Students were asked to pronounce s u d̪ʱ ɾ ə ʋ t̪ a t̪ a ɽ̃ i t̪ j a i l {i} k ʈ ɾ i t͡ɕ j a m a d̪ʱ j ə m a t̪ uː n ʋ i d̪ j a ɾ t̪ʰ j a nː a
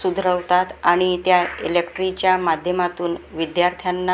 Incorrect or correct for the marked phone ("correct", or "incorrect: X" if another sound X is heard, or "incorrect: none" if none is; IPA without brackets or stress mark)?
incorrect: e